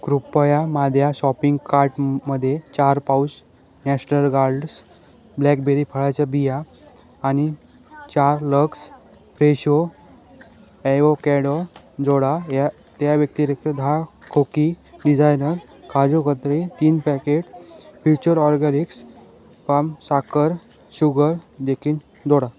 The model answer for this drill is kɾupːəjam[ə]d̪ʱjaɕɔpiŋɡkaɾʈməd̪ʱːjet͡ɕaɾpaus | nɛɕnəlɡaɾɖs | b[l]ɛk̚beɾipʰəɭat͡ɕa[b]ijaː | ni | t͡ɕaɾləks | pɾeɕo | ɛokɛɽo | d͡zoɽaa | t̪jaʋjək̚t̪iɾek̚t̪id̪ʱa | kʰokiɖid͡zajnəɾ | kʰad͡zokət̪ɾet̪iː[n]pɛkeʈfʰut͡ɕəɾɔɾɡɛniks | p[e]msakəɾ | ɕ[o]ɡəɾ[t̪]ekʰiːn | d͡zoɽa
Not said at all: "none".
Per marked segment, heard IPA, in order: a, l, b, n, a, u, d̪

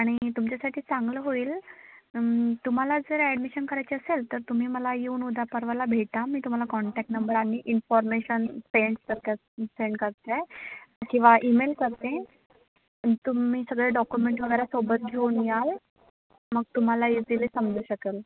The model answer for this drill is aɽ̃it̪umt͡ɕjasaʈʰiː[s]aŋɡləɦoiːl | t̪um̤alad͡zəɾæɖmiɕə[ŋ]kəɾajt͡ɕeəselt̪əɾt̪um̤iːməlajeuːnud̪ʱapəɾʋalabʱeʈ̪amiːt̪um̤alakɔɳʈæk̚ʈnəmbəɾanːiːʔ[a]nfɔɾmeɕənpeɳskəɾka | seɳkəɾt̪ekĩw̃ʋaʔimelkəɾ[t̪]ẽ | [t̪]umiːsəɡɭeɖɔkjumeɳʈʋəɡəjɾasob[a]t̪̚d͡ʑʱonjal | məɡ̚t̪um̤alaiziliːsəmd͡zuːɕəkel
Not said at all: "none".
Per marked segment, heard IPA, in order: t͡s, n, i, t̪, t̪, ə

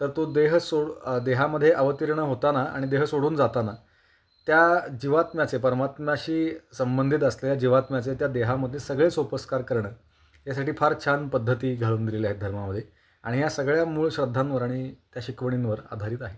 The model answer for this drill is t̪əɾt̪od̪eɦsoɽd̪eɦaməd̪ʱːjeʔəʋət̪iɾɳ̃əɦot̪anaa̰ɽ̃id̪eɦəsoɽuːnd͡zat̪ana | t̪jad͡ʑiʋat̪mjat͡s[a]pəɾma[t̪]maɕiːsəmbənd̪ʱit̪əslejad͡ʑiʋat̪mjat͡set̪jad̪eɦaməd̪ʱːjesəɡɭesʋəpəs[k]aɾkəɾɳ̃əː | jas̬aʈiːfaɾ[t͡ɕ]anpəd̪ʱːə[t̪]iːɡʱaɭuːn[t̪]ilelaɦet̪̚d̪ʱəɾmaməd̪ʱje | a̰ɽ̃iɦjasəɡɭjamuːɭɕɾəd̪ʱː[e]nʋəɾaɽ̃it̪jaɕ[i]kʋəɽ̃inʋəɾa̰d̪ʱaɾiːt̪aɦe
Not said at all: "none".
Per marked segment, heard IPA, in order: e, t̪, k, t͡ɕʰ, t̪, d̪, a, i

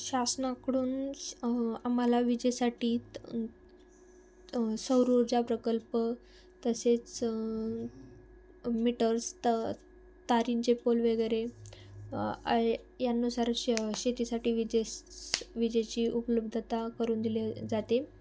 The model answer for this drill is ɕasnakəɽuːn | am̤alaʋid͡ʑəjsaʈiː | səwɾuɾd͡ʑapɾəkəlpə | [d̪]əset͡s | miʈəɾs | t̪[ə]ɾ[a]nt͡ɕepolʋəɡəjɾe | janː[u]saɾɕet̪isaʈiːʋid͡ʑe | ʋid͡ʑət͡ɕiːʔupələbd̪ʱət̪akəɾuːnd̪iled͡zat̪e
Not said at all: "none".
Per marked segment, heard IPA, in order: t̪, a, i, u

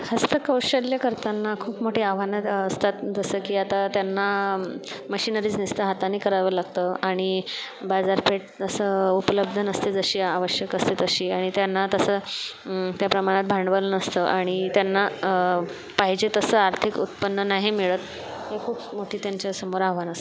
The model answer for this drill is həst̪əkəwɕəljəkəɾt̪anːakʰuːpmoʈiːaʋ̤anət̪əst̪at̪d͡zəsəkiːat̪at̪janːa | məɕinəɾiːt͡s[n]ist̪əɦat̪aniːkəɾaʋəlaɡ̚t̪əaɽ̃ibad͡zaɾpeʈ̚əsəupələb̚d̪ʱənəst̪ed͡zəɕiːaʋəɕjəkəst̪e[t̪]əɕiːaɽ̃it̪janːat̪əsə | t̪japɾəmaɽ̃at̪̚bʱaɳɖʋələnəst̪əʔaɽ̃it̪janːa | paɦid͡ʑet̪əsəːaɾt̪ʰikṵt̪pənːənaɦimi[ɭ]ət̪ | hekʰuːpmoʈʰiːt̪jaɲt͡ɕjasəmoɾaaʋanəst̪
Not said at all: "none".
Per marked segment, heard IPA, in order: n, t̪, ɭ

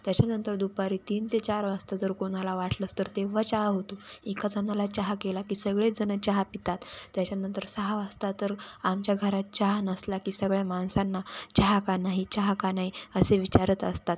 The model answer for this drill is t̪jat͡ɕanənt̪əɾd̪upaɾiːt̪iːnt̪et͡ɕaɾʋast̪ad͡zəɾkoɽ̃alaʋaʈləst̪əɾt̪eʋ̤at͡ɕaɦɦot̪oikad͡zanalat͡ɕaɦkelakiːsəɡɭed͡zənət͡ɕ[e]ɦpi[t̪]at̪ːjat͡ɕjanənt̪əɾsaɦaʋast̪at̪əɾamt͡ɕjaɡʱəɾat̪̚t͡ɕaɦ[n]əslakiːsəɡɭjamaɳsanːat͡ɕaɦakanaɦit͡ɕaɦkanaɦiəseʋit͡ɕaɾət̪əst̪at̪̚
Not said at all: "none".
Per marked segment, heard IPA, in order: a, t̪, n

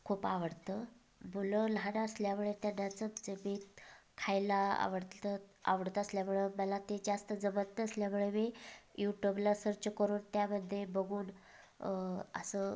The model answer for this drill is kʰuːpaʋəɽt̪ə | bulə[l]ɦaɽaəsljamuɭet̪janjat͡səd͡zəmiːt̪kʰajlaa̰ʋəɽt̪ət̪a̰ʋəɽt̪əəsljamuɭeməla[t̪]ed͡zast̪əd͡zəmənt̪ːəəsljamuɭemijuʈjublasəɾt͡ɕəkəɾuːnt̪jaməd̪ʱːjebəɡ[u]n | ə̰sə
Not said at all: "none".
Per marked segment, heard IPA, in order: l, t̪, uː

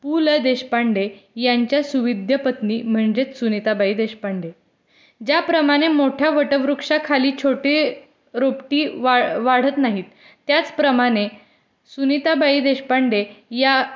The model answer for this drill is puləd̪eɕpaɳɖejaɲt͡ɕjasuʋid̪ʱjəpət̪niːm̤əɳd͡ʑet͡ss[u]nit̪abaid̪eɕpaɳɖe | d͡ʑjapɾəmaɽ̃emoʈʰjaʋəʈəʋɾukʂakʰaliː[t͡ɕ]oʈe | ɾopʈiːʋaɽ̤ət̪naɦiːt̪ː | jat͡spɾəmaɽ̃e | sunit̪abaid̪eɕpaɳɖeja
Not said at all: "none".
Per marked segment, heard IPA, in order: u, t͡ɕʰ

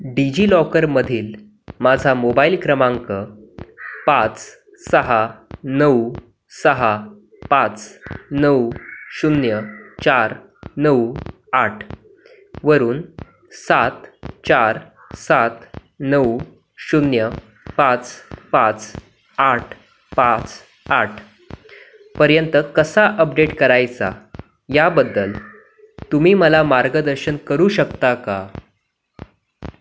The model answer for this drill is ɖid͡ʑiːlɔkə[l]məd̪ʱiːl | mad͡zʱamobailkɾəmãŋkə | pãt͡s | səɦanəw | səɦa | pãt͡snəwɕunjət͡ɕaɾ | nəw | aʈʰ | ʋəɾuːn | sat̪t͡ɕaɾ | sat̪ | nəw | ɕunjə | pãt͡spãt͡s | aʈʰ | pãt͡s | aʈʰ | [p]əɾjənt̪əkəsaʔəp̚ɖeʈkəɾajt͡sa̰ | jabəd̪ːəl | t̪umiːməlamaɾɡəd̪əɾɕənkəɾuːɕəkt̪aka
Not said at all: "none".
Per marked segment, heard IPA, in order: ɾ, p

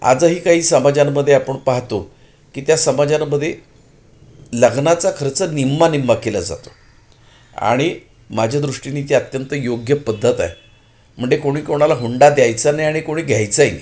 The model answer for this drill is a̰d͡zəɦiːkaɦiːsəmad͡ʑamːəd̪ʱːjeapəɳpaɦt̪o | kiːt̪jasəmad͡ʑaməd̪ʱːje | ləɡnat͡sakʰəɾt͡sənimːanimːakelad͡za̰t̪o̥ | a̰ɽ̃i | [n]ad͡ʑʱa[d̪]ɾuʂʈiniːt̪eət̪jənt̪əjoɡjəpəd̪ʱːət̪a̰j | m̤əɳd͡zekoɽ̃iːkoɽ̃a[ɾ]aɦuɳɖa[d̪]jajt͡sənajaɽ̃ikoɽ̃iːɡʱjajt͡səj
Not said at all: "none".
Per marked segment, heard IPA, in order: m, d̪, l, d̪

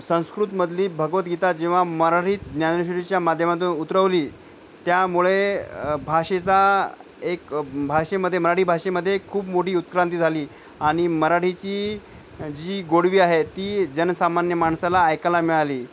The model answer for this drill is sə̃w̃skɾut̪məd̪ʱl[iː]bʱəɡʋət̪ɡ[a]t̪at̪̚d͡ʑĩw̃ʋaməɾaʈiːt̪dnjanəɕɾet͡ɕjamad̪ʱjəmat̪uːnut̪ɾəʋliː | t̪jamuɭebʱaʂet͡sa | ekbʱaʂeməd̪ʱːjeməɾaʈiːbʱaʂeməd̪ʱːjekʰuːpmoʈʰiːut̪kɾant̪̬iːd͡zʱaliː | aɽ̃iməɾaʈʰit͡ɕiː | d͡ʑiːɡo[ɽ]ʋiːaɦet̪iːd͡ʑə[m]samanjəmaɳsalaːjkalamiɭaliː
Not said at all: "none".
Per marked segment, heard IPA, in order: iː, i, ɽ, n

